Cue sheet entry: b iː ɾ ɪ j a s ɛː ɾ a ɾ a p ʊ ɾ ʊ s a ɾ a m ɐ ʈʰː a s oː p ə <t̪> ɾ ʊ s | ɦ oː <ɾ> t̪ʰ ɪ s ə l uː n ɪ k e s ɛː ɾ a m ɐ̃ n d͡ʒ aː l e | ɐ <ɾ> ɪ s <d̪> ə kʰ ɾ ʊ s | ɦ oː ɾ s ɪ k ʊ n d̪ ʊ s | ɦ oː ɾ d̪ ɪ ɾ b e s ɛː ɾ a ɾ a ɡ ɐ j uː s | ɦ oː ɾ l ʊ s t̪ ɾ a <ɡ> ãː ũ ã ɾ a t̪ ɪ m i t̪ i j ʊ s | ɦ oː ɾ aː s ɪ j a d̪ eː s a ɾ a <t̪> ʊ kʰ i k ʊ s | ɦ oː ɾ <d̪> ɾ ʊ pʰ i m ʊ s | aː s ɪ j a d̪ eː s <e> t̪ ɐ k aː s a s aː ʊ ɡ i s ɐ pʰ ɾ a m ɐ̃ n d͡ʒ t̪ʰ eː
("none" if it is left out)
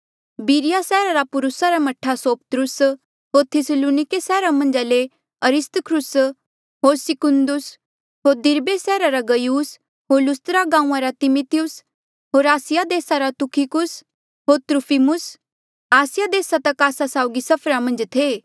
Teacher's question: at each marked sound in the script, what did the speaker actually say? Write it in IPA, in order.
t̪, ɾ, ɾ, t̪, ɡ, t̪, t̪, a

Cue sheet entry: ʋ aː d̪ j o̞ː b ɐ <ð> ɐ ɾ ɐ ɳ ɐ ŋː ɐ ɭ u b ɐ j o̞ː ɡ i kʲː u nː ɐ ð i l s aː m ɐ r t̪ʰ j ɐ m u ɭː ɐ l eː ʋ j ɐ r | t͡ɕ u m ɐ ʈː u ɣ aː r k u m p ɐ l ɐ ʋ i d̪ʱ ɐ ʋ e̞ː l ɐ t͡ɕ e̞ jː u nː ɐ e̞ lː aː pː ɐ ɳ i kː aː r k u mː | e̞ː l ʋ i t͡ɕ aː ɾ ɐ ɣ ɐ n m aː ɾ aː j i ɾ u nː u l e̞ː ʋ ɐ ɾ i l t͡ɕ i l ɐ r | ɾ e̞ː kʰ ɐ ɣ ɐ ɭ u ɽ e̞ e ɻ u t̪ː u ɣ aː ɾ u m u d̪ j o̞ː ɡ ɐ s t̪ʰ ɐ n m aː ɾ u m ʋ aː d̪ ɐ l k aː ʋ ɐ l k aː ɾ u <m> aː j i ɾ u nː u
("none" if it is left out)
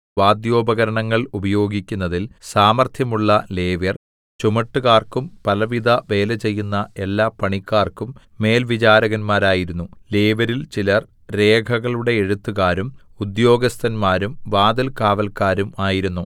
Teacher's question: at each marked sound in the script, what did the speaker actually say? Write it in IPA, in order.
ɣ, m

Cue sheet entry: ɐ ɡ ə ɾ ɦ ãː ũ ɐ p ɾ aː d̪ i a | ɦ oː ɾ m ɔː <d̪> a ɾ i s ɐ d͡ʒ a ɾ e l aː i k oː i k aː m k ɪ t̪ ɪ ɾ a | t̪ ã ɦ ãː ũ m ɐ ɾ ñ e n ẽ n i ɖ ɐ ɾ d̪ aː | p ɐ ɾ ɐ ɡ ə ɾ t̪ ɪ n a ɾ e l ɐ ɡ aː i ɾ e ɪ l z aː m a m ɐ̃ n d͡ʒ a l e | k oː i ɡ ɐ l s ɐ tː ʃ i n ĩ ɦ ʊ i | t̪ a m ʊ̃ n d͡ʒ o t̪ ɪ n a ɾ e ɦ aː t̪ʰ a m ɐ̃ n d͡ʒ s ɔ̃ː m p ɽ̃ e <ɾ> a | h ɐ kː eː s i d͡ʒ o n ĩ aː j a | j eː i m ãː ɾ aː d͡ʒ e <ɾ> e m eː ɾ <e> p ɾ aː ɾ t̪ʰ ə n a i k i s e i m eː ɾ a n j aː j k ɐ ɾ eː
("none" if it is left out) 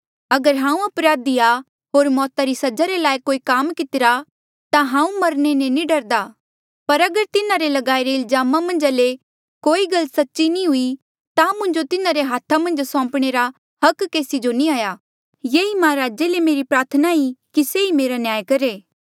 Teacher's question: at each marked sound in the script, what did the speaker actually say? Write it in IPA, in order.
t̪, ɾ, l, i

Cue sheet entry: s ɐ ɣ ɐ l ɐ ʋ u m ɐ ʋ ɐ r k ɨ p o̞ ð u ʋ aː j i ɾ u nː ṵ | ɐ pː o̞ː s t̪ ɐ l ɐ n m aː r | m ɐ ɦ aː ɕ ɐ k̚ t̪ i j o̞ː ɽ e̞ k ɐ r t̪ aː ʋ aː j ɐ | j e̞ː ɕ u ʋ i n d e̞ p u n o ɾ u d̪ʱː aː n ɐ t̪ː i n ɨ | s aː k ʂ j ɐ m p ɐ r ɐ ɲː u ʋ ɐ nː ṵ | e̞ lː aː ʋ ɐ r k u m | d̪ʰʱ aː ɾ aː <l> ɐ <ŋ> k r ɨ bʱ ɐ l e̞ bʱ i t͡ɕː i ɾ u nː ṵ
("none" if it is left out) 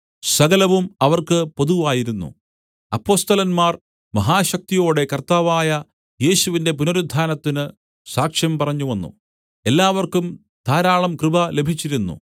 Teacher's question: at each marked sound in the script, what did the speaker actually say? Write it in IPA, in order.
ɭ, m

